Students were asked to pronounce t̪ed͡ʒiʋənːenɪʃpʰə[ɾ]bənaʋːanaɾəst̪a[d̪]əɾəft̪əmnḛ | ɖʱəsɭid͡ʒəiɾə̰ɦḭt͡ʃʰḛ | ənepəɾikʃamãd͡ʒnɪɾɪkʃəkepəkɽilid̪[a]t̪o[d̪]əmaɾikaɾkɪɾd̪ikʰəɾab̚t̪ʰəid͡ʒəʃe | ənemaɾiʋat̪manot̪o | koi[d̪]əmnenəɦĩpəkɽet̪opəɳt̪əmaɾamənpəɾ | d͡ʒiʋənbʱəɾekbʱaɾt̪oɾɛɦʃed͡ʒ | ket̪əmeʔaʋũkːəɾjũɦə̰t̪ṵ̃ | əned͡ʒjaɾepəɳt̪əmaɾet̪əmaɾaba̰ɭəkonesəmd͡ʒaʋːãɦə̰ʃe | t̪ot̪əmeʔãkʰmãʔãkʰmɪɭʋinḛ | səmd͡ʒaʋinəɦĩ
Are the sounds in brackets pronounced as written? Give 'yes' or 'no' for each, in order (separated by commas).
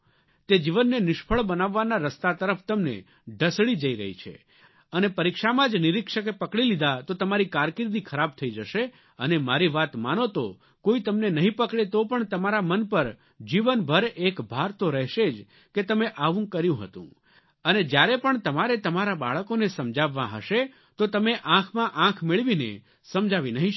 no, no, yes, no, no